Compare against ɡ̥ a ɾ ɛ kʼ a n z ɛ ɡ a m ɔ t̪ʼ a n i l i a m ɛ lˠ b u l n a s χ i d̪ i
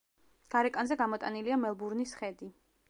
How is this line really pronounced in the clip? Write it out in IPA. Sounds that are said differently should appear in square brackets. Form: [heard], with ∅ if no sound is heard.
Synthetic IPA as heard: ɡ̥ a ɾ ɛ kʼ a n z ɛ ɡ a m ɔ t̪ʼ a n i l i a m ɛ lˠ b u [ɾ] n [i] s χ [ɛ] d̪ i